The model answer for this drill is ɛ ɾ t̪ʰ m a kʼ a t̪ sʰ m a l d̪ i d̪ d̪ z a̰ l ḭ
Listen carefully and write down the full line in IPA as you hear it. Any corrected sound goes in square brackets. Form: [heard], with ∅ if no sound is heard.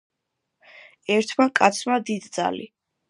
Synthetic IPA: ɛ ɾ t̪ʰ m a kʼ a t̪ sʰ m a [∅] d̪ i d̪ d̪ z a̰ l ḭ